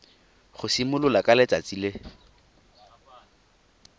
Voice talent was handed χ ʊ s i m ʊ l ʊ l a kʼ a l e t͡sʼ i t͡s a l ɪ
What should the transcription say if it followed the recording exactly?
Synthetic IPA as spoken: χ ʊ s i m ʊ l ʊ l a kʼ a l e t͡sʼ a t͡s i l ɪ